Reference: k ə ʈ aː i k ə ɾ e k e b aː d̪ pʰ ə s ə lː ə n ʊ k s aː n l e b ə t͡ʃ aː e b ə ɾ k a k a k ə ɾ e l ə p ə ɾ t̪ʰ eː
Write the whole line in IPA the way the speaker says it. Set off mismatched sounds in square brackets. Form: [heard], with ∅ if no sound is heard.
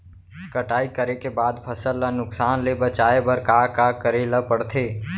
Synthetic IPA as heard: k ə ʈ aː i k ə ɾ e k e b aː d̪ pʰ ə s ə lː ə n ʊ k s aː n l e b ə t͡ʃ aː e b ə ɾ k a k a k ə ɾ e l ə p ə [ɽ] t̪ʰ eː